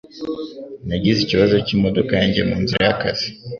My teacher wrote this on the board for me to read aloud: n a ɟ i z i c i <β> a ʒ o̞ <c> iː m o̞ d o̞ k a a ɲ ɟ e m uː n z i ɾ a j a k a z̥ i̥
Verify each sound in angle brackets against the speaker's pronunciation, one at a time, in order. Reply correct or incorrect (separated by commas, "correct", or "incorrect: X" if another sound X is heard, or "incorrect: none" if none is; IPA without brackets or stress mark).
correct, correct